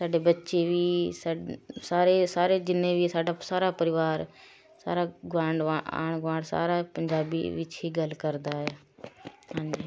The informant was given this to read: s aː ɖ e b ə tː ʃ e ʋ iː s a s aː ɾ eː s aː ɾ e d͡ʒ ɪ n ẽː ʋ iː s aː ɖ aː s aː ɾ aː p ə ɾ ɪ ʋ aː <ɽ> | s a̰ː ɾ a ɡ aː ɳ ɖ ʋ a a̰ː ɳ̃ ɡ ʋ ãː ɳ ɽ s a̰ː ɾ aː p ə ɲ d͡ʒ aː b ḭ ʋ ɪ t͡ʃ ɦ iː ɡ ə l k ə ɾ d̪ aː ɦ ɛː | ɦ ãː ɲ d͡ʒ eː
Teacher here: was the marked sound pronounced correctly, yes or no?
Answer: no